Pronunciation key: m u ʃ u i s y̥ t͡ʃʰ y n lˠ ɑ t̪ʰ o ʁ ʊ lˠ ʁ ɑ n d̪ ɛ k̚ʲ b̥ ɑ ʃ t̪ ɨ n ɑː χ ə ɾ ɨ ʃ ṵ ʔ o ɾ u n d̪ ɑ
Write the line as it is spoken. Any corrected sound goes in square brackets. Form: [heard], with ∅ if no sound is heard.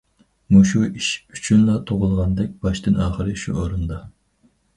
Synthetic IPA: m u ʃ u i [ʃ] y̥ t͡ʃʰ y n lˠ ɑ t̪ʰ o ʁ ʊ lˠ ʁ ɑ n d̪ ɛ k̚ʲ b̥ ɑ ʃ t̪ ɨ n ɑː χ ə ɾ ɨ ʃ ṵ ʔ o ɾ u n d̪ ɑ